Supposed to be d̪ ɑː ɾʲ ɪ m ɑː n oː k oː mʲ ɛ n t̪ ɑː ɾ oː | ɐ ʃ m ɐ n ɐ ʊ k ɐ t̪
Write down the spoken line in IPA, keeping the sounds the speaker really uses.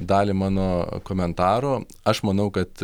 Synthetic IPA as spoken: d̪ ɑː lʲ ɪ m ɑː n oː k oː mʲ ɛ n t̪ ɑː ɾ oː | ɐ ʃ m ɐ n ɐ ʊ k ɐ t̪